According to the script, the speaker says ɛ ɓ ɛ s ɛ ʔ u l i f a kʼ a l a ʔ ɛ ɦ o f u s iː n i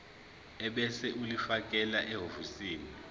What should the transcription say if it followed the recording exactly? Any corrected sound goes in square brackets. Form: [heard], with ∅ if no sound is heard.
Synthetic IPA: ɛ ɓ ɛ s ɛ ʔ u l i f a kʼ [ɛ] l a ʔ ɛ ɦ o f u s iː n i

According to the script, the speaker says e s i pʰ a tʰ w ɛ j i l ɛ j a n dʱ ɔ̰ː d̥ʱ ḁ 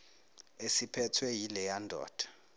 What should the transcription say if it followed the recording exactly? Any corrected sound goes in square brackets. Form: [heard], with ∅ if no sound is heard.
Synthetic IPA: e s i pʰ [ɛ] tʰ w ɛ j i l ɛ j a n dʱ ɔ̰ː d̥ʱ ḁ

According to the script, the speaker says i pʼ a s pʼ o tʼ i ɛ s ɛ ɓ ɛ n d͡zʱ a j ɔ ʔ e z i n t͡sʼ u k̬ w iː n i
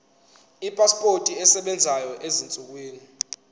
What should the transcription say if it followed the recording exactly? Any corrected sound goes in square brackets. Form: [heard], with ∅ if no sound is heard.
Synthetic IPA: i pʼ a s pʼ o tʼ i ɛ s ɛ ɓ ɛ n d͡zʱ a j ɔ ʔ e z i n t͡sʼ u k̬ w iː n i

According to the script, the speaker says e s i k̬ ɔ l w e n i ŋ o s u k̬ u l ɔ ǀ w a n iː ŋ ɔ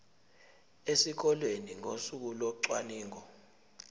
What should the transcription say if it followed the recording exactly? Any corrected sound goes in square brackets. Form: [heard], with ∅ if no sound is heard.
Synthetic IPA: e s i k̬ ɔ l w e n i ŋ o s u k̬ u l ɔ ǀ w a n iː ŋ ɔ

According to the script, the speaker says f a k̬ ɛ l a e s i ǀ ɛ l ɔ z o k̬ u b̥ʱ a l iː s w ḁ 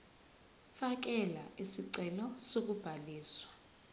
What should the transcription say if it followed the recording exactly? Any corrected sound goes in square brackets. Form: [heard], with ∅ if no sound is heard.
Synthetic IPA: f a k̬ ɛ l a [i] s i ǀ ɛ l ɔ [s] o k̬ u b̥ʱ a l iː s w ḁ

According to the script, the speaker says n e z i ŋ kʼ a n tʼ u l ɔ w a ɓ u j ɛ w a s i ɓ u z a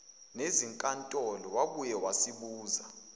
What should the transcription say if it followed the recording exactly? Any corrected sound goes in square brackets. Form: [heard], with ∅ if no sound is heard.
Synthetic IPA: n e z i ŋ kʼ a n tʼ [ɔ] l ɔ w a ɓ u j ɛ w a s i ɓ [uː] z a

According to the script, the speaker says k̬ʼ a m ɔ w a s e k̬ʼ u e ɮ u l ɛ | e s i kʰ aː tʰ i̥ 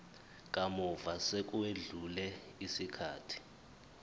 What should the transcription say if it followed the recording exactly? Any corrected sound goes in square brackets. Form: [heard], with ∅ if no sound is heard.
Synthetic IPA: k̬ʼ a m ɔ [v] a s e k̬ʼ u e ɮ u l ɛ | [i] s i kʰ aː tʰ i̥

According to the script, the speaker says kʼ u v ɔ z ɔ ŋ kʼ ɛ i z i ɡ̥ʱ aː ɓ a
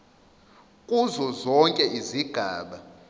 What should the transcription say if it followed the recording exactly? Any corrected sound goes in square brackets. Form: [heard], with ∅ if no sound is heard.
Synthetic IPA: kʼ u [z] ɔ z ɔ ŋ kʼ ɛ i z i ɡ̥ʱ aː ɓ a

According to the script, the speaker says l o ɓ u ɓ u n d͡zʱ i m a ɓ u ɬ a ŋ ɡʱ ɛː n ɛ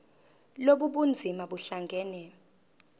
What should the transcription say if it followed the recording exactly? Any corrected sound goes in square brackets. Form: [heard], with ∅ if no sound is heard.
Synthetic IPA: l o ɓ u ɓ u n d͡zʱ i m a ɓ u ɬ a ŋ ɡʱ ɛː n ɛ

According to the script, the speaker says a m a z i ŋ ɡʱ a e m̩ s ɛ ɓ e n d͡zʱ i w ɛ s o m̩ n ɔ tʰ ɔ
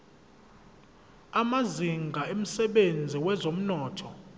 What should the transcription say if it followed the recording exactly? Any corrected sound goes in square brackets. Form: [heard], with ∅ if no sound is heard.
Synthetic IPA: a m a z i ŋ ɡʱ a e m̩ s ɛ ɓ e n d͡zʱ i w ɛ [z] o m̩ n [ɔː] tʰ ɔ

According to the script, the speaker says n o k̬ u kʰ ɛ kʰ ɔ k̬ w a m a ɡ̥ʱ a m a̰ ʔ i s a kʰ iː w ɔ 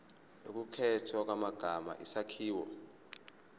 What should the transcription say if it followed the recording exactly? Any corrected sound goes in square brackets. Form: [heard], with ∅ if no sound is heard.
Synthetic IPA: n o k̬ u kʰ ɛ [tʰ] ɔ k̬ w a m a ɡ̥ʱ a m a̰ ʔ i s a kʰ iː w ɔ

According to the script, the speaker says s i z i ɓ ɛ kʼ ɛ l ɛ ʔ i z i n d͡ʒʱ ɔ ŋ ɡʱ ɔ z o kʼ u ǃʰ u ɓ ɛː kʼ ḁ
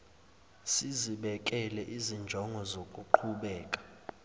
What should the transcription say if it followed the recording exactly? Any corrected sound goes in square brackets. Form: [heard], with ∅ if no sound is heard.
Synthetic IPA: s i z i ɓ ɛ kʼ ɛ l ɛ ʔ i z i n d͡ʒʱ ɔ ŋ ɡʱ ɔ z o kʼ u ǃʰ u ɓ ɛː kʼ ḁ

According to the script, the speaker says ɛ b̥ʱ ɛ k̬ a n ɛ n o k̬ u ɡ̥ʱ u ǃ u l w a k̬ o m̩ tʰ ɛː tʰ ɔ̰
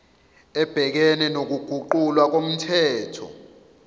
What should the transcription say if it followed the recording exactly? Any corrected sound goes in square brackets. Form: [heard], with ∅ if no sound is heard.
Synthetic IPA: ɛ b̥ʱ ɛ k̬ [ɛ] n ɛ n o k̬ u ɡ̥ʱ u ǃ u l w a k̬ o m̩ tʰ ɛː tʰ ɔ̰

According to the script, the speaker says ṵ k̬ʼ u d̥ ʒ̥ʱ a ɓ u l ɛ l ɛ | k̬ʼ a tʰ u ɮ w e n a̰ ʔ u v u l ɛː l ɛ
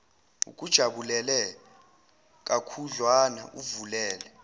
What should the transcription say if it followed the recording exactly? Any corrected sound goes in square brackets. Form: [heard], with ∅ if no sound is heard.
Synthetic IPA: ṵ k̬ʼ u d̥ ʒ̥ʱ a ɓ u l ɛ l ɛ | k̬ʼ a [kʰ] u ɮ w [a] n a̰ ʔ u v u l ɛː l ɛ

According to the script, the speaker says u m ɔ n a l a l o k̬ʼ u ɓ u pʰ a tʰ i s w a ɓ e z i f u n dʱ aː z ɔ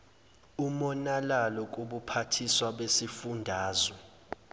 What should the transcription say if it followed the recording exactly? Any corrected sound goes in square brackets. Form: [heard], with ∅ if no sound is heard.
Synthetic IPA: u m ɔ n a l a l [ɔ] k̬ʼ u ɓ u pʰ a tʰ i s w a ɓ e [s] i f u n dʱ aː z ɔ

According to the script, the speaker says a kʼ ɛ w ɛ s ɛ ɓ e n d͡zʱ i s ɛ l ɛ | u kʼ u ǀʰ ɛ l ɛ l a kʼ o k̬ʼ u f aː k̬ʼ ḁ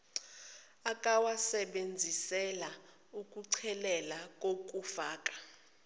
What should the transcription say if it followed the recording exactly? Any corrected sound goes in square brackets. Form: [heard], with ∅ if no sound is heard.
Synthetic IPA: a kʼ [a] w [a] s ɛ ɓ e n d͡zʱ i s ɛ l [a] | u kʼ u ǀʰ ɛ l ɛ l a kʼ o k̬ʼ u f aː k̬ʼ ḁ

